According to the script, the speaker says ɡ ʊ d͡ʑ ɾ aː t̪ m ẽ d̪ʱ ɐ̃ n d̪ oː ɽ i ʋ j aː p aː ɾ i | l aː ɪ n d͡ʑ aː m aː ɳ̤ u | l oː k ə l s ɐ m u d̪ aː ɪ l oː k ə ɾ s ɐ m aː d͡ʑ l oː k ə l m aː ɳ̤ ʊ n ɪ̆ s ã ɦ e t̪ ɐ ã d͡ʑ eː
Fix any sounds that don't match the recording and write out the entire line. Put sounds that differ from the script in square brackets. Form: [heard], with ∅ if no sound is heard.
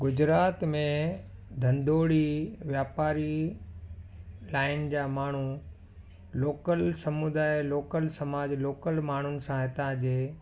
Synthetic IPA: ɡ ʊ d͡ʑ ɾ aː t̪ m ẽ d̪ʱ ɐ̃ n d̪ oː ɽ i ʋ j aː p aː ɾ i | l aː ɪ n d͡ʑ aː m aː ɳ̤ u | l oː k ə l s ɐ m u d̪ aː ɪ l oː k ə [l] s ɐ m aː d͡ʑ l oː k ə l m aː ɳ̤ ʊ n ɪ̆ s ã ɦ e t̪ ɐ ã d͡ʑ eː

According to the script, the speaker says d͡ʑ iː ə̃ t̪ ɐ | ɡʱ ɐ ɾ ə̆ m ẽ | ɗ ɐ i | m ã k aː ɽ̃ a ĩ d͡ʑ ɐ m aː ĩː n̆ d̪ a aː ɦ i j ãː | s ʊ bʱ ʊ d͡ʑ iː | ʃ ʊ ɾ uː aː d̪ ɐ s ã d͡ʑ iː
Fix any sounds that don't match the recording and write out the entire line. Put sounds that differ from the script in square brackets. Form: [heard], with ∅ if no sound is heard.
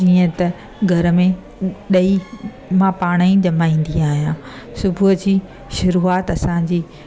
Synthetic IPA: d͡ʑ iː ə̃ t̪ ɐ | ɡʱ ɐ ɾ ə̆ m ẽ | ɗ ɐ i | m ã [p] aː ɽ̃ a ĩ d͡ʑ ɐ m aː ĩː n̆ d̪ [i] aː ɦ i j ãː | s ʊ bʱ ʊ d͡ʑ iː | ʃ ʊ ɾ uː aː [t̪] ɐ s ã d͡ʑ iː

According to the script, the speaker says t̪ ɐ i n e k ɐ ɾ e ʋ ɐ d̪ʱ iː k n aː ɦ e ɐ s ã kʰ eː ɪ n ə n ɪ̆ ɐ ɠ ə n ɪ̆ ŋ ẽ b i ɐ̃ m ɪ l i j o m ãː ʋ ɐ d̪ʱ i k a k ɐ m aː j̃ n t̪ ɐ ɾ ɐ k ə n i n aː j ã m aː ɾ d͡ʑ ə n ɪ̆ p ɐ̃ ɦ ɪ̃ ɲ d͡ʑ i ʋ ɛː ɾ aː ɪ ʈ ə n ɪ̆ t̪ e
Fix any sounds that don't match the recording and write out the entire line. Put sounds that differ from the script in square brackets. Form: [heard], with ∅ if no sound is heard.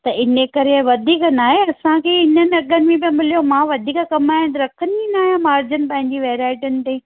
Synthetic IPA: t̪ ɐ [ɪ] n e k ɐ ɾ e ʋ ɐ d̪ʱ iː k n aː ɦ e ɐ s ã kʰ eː ɪ n ə n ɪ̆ ɐ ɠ ə n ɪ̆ [m] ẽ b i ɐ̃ m ɪ l i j o m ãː ʋ ɐ d̪ʱ [iː] k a k ɐ m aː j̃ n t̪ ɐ ɾ ɐ [kʰ] ə n i n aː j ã m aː ɾ d͡ʑ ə n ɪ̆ p ɐ̃ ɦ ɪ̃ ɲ d͡ʑ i ʋ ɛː ɾ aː ɪ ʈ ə n ɪ̆ t̪ e

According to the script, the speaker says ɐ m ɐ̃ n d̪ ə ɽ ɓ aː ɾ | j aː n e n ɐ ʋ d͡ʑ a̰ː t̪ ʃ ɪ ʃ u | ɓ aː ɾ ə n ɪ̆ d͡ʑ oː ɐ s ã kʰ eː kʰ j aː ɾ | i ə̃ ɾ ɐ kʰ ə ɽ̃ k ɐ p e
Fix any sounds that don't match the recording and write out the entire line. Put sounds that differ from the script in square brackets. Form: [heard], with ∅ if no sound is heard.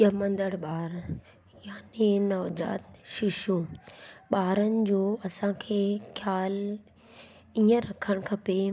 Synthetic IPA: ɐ m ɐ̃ n d̪ ə ɽ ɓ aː ɾ | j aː n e n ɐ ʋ d͡ʑ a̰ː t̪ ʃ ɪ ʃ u | ɓ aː ɾ ə n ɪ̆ d͡ʑ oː ɐ s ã kʰ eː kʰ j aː [l] | i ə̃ ɾ ɐ kʰ ə ɽ̃ [kʰ] ɐ p e

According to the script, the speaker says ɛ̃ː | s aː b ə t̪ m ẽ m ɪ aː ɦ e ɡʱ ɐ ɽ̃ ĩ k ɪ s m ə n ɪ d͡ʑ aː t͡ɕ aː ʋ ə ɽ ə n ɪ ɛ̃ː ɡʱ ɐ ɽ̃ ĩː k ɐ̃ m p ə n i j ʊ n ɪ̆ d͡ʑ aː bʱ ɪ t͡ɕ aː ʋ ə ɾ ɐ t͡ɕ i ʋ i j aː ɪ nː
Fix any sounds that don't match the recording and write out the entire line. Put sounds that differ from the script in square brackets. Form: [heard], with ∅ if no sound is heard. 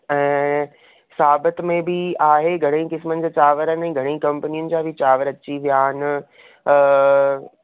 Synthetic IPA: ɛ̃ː | s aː b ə t̪ m ẽ [b] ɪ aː ɦ e ɡʱ ɐ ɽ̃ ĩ k ɪ s m ə n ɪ d͡ʑ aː t͡ɕ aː ʋ ə [ɾ] ə n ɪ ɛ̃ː ɡʱ ɐ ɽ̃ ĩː k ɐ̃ m p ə n i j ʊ n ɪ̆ d͡ʑ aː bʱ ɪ t͡ɕ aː ʋ ə ɾ ɐ t͡ɕ i ʋ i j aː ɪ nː

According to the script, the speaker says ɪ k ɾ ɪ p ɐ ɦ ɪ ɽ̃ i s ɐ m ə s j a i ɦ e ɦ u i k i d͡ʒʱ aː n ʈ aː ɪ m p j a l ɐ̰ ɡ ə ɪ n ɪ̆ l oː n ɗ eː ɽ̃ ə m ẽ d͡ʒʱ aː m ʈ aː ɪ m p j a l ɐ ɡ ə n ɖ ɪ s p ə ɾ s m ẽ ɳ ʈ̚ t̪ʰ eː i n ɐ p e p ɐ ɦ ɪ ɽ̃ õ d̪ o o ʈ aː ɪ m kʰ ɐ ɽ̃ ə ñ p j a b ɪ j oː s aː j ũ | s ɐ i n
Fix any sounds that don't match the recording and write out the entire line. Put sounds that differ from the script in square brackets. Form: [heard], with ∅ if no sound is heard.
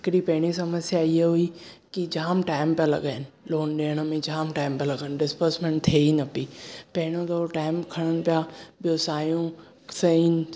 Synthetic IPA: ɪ k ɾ [i] p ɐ ɦ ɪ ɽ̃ i s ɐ m ə s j a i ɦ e ɦ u i k i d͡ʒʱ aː [m] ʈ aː ɪ m p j a l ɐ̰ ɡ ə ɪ n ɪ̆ l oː n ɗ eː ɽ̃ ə m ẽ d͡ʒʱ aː m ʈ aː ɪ m p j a l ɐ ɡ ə n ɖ ɪ s p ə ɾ s m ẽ ɳ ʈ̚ t̪ʰ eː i n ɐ p [i] p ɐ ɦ ɪ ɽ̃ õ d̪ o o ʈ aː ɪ m kʰ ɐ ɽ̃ ə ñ p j a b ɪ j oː s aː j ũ | s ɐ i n

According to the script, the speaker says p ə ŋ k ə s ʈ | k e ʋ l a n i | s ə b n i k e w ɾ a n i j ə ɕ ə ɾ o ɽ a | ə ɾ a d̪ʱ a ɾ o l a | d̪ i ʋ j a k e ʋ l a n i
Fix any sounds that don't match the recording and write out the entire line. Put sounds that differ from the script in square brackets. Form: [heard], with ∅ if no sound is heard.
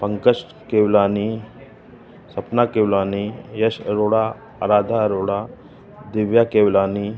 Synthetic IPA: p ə ŋ k ə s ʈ | k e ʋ l a n i | s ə [p] n [a] k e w [l] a n i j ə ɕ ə ɾ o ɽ a | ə ɾ a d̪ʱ a ɾ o [ɽ] a | d̪ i ʋ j a k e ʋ l a n i

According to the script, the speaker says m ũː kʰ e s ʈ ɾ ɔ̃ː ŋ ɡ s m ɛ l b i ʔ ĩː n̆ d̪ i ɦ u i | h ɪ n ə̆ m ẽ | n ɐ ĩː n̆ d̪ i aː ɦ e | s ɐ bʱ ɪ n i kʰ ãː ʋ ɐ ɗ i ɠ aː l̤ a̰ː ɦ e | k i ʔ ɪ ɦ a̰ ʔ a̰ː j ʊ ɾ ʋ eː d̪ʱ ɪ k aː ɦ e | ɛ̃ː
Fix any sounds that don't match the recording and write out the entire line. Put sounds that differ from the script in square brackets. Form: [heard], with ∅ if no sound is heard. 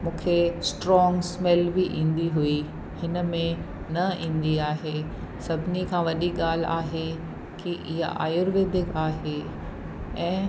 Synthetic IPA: m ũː kʰ e s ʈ ɾ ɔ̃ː ŋ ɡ s m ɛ l b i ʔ ĩː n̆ d̪ i ɦ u i | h ɪ n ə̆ m ẽ | n ɐ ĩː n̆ d̪ i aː ɦ e | s ɐ bʱ ɪ n i kʰ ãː ʋ ɐ ɗ i ɠ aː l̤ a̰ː ɦ e | k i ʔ ɪ ɦ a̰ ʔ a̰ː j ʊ ɾ ʋ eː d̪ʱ ɪ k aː ɦ e | ɛ̃ː

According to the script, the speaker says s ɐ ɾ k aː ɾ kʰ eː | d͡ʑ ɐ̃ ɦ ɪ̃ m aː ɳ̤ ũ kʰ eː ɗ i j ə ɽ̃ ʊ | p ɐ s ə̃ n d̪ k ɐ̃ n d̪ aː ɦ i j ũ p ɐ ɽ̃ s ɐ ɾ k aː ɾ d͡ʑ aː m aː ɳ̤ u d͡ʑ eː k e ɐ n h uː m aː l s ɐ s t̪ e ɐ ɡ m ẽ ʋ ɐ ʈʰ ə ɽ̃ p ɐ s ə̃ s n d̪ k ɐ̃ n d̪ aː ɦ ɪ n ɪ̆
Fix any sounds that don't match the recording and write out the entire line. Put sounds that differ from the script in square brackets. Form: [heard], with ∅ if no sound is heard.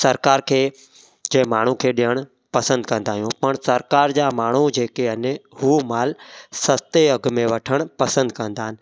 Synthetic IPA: s ɐ ɾ k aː ɾ kʰ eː | d͡ʑ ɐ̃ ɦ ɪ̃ m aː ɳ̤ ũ kʰ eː ɗ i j ə ɽ̃ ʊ | p ɐ s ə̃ n d̪ k ɐ̃ n d̪ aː ɦ i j ũ p ɐ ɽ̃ s ɐ ɾ k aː ɾ d͡ʑ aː m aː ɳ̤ u d͡ʑ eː k e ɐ n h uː m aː l s ɐ s t̪ e ɐ ɡ m ẽ ʋ ɐ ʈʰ ə ɽ̃ p ɐ s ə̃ [∅] n d̪ k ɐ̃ n d̪ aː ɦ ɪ n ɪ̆

